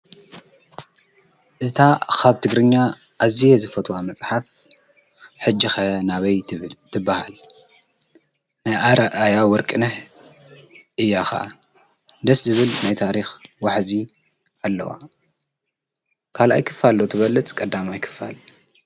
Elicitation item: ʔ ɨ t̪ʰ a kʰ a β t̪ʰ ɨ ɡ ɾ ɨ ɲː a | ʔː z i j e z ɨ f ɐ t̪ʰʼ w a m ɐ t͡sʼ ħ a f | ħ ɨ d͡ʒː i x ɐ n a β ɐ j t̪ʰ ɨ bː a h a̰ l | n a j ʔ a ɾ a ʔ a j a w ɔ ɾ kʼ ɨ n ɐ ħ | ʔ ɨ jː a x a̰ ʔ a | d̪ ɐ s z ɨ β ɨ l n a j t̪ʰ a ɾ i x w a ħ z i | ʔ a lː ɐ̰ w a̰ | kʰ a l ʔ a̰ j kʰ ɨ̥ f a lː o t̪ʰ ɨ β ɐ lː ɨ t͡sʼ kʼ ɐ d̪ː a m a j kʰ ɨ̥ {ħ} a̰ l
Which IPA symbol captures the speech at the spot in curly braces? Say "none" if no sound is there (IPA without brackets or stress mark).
f